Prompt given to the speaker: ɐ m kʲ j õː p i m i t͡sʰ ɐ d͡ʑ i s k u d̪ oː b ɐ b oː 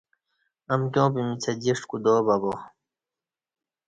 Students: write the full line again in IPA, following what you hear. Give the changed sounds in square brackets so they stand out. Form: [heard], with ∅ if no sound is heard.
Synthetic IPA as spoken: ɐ m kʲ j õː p i m i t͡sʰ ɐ d͡ʑ i [ʂ] k u d̪ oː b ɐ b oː